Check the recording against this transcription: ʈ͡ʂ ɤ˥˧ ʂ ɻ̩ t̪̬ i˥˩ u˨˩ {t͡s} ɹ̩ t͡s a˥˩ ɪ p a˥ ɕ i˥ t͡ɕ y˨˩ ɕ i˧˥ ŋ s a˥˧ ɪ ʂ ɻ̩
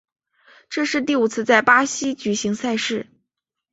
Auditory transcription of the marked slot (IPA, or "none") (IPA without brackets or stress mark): t͡sʰ